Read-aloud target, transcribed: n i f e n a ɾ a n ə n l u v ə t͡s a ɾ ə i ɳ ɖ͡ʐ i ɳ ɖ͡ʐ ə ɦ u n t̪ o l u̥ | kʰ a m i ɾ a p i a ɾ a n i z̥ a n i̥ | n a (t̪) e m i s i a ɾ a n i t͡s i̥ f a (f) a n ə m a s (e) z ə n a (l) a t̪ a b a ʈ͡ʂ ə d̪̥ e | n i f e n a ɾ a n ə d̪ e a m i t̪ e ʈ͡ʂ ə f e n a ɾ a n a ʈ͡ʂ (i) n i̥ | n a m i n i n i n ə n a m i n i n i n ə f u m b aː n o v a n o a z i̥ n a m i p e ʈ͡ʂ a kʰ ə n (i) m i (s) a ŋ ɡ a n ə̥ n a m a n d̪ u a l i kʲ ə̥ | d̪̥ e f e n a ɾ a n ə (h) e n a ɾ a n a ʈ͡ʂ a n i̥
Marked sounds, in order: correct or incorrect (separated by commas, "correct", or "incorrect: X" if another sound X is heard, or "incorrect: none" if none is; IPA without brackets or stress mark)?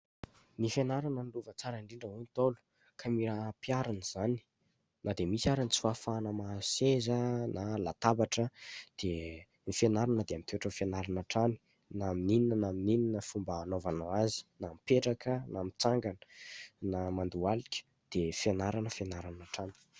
incorrect: d̪, correct, correct, correct, incorrect: a, incorrect: a, incorrect: t͡s, incorrect: f